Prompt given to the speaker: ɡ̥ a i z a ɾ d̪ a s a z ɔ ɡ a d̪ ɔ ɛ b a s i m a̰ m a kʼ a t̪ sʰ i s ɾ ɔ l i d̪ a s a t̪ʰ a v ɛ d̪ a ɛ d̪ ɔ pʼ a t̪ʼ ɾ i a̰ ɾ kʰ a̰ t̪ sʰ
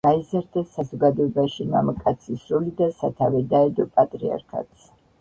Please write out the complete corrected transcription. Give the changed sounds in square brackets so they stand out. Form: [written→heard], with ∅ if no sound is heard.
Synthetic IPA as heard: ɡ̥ a i z a ɾ d̪ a s a z ɔ ɡ a d̪ ɔ ɛ b a [s→ʃ] i m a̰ m a kʼ a t̪ sʰ i s ɾ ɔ l i d̪ a s a t̪ʰ a v ɛ d̪ a ɛ d̪ ɔ pʼ a t̪ʼ ɾ i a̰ ɾ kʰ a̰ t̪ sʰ